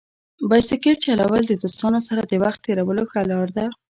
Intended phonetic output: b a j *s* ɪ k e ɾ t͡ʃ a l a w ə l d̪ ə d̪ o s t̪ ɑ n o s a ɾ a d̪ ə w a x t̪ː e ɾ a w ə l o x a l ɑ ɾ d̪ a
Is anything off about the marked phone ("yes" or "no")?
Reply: no